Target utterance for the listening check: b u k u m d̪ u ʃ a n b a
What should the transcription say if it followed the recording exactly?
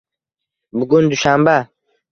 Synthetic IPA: b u ɡ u n d̪ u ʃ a m b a